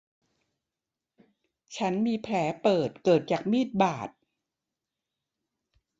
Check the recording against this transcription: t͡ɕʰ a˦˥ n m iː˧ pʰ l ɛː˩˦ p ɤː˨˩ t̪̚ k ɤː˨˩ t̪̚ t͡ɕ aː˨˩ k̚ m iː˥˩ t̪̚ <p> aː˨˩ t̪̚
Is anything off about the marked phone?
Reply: yes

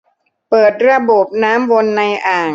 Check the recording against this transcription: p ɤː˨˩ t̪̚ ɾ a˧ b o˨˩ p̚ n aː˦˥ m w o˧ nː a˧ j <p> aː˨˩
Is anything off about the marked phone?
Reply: yes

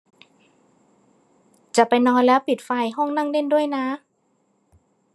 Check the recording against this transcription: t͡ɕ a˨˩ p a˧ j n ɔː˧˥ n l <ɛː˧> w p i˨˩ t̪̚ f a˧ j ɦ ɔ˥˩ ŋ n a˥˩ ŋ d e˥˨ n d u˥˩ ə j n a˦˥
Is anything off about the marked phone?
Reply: yes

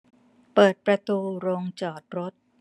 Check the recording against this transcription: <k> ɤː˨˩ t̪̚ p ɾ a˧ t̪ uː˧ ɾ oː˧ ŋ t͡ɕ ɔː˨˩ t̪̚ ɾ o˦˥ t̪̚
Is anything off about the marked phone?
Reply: yes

